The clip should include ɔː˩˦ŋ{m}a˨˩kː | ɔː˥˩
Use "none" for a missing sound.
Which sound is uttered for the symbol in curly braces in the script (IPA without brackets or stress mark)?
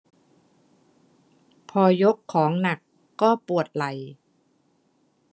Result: n